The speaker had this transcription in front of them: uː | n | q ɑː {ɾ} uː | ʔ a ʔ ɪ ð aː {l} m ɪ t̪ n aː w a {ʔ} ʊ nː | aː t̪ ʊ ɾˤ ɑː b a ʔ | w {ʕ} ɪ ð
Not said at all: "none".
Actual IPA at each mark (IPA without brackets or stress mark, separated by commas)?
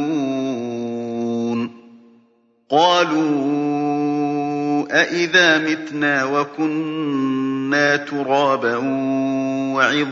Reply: l, none, k, ʕ